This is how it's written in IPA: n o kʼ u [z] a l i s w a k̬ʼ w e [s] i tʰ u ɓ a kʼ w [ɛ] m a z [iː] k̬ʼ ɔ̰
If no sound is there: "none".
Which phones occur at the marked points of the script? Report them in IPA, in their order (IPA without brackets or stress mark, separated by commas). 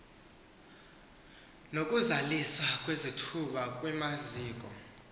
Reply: z, z, ɛ, iː